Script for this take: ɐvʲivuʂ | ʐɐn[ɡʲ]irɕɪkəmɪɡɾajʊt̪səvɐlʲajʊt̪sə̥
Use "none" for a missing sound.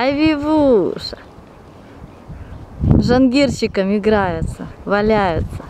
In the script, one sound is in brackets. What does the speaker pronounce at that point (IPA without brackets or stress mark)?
ɡʲ